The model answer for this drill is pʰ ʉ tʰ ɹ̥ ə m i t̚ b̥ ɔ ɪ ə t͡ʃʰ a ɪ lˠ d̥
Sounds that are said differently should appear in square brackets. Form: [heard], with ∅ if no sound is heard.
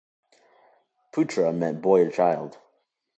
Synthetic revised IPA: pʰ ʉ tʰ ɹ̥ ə m [ɛ] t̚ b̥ ɔ ɪ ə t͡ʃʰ a ɪ lˠ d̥